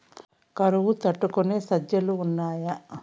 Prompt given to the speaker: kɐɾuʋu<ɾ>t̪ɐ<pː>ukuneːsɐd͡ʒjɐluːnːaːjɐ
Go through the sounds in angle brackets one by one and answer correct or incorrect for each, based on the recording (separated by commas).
incorrect, incorrect